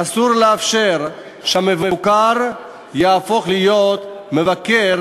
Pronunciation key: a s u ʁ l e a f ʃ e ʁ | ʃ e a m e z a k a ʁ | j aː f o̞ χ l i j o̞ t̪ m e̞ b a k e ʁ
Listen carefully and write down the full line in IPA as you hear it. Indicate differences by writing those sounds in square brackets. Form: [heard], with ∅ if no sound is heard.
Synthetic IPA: a s u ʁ l e a f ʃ e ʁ | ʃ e a m e [v] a k a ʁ | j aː f o̞ χ l i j o̞ t̪ m e̞ [v] a k e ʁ